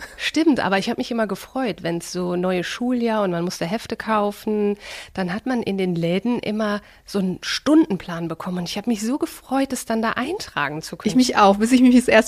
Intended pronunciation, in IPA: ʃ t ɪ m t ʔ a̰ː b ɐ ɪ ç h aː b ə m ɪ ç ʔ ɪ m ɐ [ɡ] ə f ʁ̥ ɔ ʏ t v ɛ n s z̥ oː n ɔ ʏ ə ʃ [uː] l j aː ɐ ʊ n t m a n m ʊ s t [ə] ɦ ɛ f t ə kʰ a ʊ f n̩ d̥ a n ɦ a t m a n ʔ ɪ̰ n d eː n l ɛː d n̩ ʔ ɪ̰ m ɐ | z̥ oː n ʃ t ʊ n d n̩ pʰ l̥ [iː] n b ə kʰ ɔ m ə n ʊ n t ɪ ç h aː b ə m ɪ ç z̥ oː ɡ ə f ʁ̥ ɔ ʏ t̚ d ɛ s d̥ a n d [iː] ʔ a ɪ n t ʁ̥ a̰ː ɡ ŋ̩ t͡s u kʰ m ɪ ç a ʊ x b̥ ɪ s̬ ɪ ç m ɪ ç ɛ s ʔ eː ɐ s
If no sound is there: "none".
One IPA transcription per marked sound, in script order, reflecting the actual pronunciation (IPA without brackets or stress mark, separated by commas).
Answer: ɡ, uː, ə, aː, aː